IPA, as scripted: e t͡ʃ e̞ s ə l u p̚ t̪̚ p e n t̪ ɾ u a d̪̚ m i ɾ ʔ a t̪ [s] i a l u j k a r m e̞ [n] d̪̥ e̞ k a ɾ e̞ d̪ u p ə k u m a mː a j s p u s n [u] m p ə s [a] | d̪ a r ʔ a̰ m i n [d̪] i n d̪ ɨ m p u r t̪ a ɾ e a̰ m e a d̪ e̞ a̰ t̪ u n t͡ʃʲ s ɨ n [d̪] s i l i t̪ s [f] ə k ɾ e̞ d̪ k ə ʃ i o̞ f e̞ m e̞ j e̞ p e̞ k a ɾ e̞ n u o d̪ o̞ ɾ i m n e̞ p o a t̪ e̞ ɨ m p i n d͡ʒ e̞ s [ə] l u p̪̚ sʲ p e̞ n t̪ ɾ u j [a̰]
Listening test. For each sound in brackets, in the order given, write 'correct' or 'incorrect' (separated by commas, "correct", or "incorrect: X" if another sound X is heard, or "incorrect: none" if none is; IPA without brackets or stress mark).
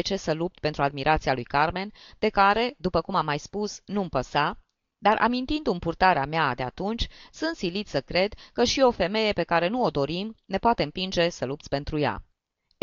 correct, correct, correct, correct, incorrect: t̪, incorrect: t̪, incorrect: s, correct, correct